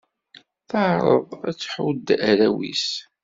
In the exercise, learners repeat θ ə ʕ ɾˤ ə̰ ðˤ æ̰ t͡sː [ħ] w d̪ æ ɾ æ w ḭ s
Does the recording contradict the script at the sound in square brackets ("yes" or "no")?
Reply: no